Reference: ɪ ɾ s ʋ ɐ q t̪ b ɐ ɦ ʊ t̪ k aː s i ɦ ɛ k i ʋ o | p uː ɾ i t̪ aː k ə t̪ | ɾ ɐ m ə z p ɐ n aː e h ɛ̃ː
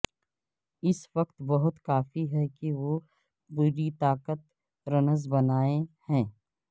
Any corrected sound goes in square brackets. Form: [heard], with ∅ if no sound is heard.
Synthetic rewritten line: ɪ [∅] s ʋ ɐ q t̪ b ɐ ɦ ʊ t̪ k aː [f] i ɦ ɛ k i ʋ o | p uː ɾ i t̪ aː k ə t̪ | ɾ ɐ [n] ə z [b] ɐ n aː e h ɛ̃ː